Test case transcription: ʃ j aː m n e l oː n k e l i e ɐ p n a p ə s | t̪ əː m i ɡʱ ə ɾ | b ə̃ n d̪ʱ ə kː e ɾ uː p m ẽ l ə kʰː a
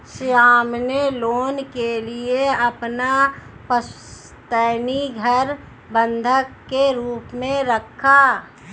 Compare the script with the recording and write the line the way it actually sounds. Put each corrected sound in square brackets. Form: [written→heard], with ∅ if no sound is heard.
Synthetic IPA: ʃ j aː m n e l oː n k e l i e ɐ p n a p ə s | t̪ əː [m→n] i ɡʱ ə ɾ | b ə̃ n d̪ʱ ə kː e ɾ uː p m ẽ [l→ɾ] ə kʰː a